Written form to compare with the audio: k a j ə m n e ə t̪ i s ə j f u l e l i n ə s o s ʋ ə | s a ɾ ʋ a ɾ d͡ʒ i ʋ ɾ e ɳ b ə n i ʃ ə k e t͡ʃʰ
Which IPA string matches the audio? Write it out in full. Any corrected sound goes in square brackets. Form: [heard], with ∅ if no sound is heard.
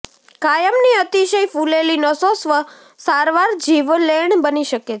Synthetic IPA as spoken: k a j ə m n [i] ə t̪ i [ʃ] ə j f u l e l i n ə s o s ʋ ə | s a ɾ ʋ a ɾ d͡ʒ i ʋ [l] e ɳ b ə n i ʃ ə k e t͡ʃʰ